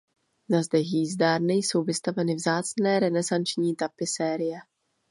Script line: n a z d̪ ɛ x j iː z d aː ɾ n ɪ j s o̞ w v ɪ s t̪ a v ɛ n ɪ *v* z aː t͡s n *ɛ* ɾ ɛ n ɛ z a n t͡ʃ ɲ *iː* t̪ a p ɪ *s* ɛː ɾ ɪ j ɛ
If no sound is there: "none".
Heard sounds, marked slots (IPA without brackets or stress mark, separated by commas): v, ɛː, iː, s